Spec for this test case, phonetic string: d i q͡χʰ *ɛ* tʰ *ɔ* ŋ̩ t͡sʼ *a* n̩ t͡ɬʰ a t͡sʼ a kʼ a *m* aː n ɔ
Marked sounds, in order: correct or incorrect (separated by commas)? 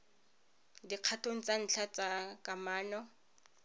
incorrect, incorrect, correct, correct